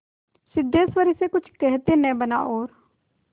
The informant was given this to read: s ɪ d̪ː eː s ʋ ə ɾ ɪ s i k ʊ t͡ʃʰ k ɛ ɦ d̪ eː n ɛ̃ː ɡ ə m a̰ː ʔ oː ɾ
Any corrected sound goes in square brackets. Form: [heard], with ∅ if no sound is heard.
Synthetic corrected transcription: s ɪ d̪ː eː s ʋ ə ɾ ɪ s [e] k ʊ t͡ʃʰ k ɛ ɦ [t̪] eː n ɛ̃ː [b] ə [n] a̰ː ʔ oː ɾ